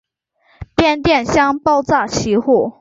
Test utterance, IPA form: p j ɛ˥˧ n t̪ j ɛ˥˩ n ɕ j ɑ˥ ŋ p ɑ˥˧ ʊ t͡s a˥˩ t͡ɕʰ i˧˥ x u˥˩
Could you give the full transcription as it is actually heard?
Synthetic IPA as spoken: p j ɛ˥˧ n t̪ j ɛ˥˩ n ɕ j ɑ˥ ŋ p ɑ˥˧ ʊ t͡s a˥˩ t͡ɕʰ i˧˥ x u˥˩